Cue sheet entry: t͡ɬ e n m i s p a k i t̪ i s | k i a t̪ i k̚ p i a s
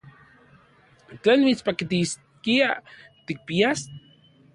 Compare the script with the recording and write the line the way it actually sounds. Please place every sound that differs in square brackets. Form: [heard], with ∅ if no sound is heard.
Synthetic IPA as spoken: t͡ɬ e n m i [t͡s] p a k i t̪ i s | k i a t̪ i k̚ p i a s